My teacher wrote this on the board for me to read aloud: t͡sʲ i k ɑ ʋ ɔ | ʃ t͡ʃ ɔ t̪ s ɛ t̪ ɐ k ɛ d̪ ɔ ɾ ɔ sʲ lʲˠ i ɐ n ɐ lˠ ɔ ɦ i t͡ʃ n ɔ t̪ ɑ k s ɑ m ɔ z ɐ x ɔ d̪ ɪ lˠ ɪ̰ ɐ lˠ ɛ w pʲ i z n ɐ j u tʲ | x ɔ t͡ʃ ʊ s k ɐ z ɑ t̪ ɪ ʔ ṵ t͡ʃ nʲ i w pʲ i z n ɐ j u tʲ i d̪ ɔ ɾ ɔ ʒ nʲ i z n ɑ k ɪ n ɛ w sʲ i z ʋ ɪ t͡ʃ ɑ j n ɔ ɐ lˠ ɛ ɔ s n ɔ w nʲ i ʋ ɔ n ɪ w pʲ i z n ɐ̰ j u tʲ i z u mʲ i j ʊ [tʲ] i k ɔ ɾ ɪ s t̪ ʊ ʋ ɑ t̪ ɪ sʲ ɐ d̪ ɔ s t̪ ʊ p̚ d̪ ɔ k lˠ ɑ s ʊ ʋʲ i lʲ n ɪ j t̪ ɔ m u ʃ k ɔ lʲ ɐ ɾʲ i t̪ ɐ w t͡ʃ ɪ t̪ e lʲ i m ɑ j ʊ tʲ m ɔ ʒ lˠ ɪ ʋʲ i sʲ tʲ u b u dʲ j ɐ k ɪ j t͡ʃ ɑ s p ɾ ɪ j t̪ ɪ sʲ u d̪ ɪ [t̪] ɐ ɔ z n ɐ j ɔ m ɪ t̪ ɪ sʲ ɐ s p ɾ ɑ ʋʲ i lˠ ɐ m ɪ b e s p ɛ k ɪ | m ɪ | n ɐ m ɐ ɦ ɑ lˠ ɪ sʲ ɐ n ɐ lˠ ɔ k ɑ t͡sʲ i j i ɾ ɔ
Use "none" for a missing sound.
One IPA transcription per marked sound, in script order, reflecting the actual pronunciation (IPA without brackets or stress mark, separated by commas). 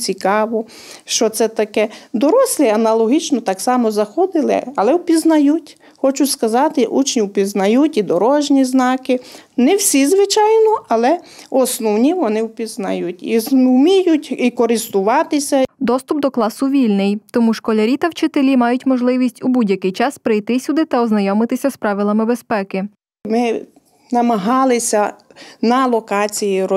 tʲ, t̪